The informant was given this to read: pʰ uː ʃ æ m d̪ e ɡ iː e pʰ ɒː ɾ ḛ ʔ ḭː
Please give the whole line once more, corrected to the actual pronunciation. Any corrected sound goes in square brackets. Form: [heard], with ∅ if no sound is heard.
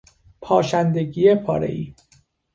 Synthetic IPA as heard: pʰ [ɒː] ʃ æ [n] d̪ e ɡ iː e pʰ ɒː ɾ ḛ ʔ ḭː